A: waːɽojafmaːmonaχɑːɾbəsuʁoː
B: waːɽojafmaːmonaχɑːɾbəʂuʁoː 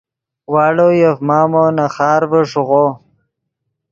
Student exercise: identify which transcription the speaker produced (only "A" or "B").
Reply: B